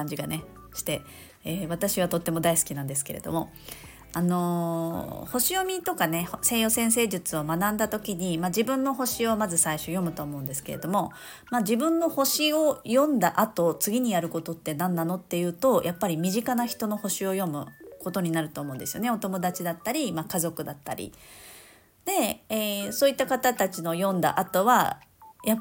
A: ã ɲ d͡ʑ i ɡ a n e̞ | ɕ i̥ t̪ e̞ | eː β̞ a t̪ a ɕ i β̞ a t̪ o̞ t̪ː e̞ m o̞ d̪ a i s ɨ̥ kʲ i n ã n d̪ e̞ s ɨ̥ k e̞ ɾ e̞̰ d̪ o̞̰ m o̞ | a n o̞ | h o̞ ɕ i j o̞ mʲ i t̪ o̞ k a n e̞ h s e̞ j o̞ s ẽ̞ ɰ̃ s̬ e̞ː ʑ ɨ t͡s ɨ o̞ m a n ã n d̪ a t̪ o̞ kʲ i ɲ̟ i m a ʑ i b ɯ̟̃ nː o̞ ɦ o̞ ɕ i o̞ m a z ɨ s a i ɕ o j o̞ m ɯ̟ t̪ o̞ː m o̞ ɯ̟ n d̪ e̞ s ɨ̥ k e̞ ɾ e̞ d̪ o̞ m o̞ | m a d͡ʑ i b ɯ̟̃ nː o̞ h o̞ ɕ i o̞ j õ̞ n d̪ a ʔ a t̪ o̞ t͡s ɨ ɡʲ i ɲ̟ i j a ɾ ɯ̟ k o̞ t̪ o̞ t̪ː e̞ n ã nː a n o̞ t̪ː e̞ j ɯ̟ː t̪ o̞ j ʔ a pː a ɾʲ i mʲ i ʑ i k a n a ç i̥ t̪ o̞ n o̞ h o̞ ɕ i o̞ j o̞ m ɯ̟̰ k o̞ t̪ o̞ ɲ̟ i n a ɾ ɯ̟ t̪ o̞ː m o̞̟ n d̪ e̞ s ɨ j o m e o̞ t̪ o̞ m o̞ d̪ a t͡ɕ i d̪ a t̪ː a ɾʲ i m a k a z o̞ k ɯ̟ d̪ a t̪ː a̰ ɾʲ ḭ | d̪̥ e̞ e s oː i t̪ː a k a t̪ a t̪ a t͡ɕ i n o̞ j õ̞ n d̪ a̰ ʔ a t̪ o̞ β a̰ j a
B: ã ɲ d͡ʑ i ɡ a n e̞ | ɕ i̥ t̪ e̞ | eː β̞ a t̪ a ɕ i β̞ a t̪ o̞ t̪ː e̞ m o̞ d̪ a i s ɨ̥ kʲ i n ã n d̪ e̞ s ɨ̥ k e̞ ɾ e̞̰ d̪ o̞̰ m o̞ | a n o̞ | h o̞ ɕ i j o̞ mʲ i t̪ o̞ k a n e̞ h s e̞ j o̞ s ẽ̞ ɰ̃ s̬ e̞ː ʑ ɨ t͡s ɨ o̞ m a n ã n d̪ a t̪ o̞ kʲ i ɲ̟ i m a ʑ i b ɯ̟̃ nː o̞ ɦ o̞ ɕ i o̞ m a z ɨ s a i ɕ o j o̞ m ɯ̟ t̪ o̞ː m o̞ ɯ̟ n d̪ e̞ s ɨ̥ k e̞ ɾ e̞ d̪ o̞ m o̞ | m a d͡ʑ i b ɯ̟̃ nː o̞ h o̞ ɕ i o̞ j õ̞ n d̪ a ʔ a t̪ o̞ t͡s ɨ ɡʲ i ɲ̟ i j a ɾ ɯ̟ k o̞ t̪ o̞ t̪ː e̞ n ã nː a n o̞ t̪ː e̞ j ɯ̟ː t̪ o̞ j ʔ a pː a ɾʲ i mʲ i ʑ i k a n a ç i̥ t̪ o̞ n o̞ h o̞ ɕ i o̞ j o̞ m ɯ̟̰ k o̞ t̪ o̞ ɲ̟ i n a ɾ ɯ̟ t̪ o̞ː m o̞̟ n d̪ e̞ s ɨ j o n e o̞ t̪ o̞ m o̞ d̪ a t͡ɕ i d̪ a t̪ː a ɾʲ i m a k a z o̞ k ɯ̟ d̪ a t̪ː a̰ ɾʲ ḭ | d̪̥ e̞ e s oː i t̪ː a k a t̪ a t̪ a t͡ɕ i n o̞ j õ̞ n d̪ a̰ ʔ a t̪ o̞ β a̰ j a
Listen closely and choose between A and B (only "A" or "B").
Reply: B